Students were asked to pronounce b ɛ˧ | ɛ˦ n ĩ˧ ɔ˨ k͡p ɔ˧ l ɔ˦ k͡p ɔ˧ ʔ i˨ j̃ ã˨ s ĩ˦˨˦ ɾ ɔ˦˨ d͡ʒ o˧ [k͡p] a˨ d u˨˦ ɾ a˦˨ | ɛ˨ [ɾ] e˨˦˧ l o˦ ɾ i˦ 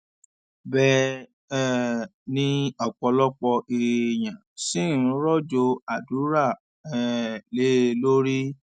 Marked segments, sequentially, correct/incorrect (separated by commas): incorrect, incorrect